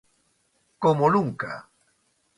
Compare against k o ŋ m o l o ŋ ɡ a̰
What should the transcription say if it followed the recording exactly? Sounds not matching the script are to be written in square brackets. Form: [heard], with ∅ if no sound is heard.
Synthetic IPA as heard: k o [∅] m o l [u] ŋ [k] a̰